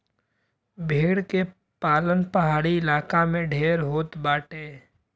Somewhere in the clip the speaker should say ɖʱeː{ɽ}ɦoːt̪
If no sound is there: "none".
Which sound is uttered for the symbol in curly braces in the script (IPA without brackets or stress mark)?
ɾ